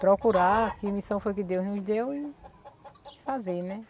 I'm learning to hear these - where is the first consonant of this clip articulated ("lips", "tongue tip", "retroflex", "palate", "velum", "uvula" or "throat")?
lips